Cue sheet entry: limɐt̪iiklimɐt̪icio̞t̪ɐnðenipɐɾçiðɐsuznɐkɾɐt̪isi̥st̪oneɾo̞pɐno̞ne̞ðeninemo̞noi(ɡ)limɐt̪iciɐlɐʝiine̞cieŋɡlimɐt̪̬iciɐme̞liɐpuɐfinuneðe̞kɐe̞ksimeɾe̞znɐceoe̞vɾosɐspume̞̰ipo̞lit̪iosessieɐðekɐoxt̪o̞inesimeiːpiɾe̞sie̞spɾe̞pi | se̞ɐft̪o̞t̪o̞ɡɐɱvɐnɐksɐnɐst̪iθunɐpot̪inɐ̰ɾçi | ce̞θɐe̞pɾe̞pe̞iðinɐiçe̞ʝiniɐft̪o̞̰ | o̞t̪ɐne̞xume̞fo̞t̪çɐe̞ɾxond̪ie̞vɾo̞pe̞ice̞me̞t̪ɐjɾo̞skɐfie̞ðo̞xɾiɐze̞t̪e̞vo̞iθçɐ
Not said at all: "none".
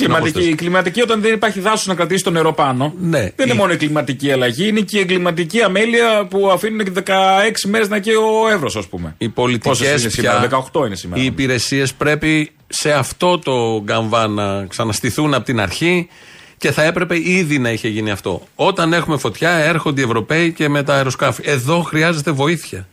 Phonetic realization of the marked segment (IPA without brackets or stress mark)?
ɡ